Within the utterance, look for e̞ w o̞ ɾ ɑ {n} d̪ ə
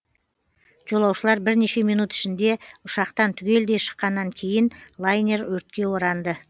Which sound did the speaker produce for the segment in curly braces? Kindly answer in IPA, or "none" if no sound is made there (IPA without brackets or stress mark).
n